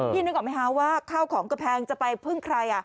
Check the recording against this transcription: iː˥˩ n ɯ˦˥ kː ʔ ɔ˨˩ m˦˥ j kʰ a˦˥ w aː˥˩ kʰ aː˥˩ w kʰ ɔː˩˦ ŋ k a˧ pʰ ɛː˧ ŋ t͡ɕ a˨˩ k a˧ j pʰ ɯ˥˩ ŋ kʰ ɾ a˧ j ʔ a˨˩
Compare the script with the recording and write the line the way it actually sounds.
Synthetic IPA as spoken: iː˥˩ n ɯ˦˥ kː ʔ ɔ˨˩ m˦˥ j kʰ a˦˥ w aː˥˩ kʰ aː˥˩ w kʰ ɔː˩˦ ŋ k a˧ pʰ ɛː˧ ŋ t͡ɕ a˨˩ p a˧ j pʰ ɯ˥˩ ŋ kʰ ɾ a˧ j ʔ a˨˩